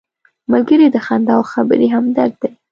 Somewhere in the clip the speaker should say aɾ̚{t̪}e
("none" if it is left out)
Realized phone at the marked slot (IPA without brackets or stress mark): d̪